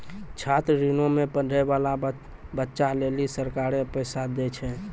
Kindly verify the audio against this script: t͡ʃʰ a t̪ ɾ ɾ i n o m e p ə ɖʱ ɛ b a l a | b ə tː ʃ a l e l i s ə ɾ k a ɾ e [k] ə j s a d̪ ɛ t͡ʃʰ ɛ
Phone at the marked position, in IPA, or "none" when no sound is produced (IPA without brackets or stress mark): p